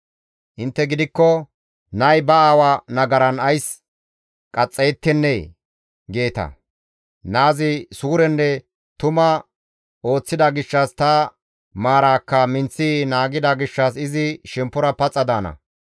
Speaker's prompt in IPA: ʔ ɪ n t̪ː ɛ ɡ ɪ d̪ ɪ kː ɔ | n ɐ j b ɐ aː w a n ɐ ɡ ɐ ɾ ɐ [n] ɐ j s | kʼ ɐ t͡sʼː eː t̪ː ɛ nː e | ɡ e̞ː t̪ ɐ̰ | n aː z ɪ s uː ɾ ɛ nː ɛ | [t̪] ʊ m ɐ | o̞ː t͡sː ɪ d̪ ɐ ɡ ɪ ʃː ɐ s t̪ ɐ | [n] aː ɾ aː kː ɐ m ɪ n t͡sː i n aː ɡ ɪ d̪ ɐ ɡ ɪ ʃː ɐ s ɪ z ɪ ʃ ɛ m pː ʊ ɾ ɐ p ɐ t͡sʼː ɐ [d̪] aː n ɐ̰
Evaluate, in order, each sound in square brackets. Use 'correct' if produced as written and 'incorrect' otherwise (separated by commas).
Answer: correct, correct, incorrect, correct